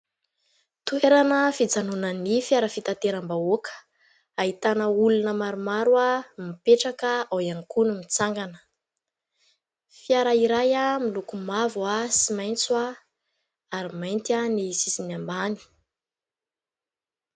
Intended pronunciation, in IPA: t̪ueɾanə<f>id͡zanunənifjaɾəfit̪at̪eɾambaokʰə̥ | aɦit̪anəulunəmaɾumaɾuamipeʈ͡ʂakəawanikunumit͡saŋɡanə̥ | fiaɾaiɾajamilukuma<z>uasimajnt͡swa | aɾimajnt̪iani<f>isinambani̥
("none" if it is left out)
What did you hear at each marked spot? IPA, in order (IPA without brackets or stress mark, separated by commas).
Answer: f, v, s